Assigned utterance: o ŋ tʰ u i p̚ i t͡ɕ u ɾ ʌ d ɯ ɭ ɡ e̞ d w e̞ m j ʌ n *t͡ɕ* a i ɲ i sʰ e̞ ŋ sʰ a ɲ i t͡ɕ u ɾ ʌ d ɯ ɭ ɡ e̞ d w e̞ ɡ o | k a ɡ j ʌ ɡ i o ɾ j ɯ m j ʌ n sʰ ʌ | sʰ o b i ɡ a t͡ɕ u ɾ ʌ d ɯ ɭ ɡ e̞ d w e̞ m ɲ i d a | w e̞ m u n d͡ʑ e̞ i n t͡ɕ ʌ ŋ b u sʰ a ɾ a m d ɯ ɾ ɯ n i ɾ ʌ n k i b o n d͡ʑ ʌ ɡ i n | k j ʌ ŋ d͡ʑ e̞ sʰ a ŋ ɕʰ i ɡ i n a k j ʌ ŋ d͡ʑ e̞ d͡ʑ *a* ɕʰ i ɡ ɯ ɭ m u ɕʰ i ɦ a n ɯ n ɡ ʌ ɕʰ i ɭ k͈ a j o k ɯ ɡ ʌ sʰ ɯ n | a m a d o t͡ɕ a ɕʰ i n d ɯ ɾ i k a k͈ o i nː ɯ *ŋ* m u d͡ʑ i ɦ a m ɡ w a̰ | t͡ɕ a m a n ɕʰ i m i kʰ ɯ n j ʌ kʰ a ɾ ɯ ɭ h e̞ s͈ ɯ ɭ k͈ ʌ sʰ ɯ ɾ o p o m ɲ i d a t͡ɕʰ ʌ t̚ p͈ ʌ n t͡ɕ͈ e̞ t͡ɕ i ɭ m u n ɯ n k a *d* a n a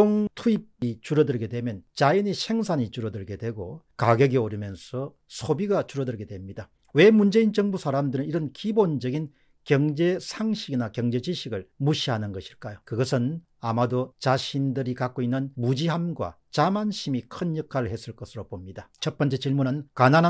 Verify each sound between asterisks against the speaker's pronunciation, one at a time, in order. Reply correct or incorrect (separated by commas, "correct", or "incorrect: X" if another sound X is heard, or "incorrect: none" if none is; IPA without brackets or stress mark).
correct, incorrect: i, incorrect: n, incorrect: n